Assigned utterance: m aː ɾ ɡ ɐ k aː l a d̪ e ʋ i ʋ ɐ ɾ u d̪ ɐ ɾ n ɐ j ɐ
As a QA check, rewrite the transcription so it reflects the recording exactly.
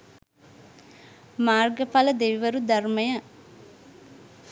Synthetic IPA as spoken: m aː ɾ ɡ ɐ p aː l ɐ d̪ e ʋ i ʋ ɐ ɾ u d̪ ɐ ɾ m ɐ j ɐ